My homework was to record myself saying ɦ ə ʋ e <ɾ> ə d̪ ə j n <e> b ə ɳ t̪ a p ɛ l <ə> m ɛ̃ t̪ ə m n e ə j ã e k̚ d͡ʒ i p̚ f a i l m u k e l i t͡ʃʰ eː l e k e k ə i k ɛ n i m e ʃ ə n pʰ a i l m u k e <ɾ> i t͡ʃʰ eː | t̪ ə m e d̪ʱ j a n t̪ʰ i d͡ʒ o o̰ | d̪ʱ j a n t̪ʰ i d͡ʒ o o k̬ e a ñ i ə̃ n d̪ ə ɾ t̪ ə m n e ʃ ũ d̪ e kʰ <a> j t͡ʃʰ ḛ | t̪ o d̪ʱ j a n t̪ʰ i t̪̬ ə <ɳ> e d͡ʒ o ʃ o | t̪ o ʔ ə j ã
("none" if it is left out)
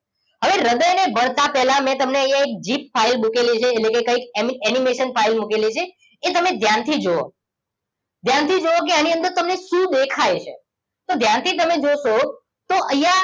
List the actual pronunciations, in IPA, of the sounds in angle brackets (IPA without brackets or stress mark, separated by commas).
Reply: ɾ, e, a, l, a, m